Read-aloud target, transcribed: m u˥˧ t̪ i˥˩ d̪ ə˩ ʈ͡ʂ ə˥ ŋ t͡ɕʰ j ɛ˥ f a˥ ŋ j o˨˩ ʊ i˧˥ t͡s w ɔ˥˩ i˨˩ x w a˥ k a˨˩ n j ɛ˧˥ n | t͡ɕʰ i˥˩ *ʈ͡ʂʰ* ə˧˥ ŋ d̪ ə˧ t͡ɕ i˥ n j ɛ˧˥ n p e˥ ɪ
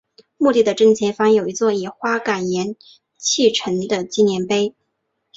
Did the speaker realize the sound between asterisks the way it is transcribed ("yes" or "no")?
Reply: yes